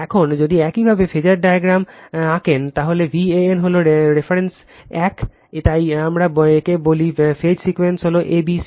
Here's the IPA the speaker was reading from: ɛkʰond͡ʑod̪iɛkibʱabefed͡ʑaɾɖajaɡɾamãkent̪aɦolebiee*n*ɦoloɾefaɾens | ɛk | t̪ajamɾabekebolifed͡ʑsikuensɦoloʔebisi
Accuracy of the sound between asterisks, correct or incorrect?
correct